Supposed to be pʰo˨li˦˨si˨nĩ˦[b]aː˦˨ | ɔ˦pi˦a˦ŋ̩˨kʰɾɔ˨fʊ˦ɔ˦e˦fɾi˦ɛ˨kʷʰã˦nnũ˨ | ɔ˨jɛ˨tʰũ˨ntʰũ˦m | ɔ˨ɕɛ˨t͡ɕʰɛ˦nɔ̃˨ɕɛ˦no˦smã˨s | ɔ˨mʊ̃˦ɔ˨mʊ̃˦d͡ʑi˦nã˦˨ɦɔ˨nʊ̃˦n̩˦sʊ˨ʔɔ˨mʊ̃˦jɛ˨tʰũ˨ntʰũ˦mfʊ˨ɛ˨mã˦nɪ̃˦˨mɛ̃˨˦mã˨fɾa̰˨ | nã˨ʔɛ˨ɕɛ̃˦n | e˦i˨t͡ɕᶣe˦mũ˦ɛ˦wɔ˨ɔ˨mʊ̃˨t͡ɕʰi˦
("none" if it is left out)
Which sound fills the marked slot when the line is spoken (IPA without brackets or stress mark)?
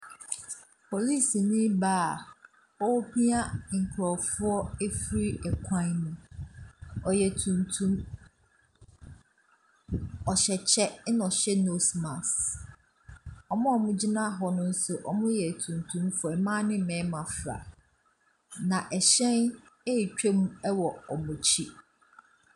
b